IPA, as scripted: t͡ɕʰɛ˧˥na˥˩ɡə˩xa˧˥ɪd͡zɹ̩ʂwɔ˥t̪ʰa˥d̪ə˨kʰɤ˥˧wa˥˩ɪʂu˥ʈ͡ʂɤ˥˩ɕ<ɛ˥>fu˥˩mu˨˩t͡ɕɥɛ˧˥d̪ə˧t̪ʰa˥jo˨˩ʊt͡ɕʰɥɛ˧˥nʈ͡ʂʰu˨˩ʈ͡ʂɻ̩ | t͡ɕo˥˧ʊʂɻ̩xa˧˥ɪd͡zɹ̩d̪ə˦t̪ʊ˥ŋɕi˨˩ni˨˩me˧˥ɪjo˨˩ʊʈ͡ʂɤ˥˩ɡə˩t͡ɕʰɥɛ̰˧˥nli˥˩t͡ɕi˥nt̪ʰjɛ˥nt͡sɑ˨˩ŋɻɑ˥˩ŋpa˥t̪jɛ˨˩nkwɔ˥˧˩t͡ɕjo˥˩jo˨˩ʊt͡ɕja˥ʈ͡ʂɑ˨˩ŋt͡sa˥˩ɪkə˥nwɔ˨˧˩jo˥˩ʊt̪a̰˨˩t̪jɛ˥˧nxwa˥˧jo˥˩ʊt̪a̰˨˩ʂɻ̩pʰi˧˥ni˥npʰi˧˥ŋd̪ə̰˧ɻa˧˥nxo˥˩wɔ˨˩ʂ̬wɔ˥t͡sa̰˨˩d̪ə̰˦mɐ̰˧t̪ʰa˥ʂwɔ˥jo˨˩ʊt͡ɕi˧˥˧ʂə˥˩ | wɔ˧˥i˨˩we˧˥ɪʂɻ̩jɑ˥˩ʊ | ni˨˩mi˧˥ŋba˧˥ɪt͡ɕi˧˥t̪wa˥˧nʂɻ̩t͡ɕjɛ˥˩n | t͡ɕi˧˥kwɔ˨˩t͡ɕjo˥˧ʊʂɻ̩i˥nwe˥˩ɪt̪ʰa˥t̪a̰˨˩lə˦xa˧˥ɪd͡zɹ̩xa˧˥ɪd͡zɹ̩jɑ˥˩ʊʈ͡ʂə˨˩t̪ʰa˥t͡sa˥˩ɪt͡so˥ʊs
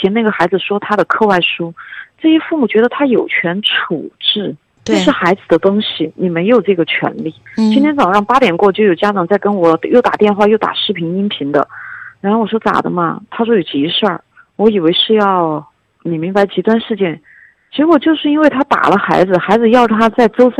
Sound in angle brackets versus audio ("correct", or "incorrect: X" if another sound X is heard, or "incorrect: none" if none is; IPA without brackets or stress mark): correct